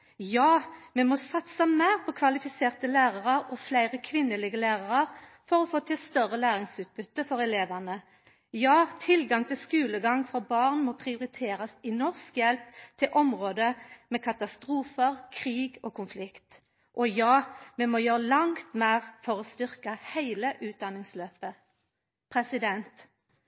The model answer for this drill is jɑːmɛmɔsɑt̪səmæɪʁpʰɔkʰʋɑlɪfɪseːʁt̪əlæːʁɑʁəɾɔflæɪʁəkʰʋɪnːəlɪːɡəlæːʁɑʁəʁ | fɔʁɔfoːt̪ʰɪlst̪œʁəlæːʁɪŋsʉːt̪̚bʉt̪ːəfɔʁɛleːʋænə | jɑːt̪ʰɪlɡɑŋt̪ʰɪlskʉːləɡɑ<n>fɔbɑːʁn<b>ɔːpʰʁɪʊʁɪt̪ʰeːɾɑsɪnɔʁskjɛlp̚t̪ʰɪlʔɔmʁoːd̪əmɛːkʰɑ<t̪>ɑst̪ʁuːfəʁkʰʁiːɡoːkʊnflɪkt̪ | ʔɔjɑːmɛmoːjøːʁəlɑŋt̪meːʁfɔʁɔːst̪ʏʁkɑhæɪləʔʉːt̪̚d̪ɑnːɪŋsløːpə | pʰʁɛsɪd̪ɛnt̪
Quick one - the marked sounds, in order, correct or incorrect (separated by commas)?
incorrect, incorrect, correct